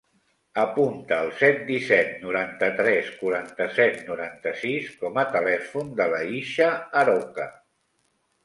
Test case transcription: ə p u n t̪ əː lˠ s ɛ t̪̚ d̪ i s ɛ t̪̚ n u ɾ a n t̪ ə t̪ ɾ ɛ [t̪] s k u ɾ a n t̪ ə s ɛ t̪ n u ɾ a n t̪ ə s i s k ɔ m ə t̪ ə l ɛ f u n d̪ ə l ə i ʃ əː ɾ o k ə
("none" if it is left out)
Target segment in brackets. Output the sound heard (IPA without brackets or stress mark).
none